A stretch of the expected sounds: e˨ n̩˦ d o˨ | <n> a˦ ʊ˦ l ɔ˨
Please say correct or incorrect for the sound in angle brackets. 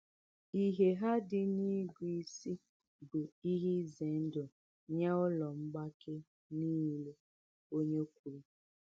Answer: incorrect: ɲ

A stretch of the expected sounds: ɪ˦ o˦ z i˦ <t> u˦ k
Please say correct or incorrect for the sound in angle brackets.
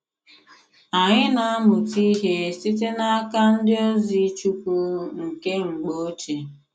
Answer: incorrect: t͡ʃ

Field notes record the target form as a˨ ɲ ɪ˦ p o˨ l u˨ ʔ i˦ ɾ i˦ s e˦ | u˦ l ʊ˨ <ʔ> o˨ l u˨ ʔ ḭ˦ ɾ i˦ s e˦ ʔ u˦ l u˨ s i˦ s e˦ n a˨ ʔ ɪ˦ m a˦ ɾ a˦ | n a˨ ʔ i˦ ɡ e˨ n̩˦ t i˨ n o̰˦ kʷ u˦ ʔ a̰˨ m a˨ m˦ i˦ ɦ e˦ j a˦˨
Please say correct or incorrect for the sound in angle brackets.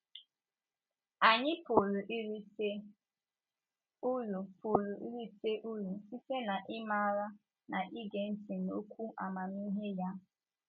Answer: incorrect: p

